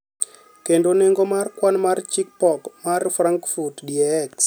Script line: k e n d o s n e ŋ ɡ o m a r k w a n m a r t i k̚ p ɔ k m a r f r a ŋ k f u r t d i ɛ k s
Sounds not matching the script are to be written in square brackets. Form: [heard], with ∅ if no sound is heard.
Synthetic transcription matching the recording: k e n d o [∅] n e ŋ ɡ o m a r k w a n m a r [t͡ʃ] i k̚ p ɔ k m a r f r a ŋ k f u r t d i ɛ k s